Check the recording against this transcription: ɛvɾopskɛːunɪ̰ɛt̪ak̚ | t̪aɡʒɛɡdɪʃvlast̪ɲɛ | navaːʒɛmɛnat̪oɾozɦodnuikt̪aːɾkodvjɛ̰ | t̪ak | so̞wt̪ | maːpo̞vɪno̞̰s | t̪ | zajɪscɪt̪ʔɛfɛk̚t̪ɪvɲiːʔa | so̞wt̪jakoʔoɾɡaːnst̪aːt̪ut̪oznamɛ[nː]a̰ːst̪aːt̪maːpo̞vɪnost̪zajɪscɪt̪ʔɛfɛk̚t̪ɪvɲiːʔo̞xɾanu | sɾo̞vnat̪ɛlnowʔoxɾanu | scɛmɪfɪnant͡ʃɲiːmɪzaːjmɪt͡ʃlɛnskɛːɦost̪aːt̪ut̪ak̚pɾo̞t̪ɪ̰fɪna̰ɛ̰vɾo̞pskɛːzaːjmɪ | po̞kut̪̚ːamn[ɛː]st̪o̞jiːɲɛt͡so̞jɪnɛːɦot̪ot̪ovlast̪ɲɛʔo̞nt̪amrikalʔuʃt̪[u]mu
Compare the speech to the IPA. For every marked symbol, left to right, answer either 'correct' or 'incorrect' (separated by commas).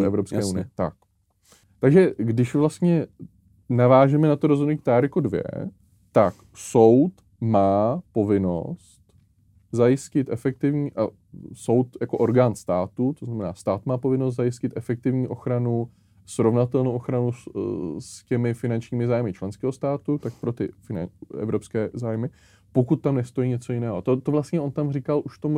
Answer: incorrect, incorrect, incorrect